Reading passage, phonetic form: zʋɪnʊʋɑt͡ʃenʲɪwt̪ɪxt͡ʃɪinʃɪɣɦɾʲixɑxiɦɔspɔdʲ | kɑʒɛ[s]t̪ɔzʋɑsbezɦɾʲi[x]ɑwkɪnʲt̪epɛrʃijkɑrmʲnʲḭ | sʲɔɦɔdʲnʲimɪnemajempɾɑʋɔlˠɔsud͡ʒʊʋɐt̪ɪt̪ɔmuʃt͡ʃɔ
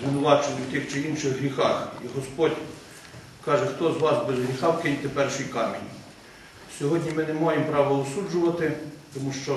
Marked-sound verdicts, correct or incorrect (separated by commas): incorrect, correct